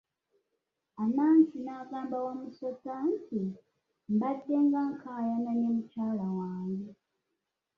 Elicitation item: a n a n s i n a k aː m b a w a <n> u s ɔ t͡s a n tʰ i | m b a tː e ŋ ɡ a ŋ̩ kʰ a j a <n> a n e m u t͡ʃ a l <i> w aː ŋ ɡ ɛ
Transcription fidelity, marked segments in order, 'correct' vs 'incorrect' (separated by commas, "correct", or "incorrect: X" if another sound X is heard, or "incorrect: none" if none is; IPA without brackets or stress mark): incorrect: m, correct, incorrect: a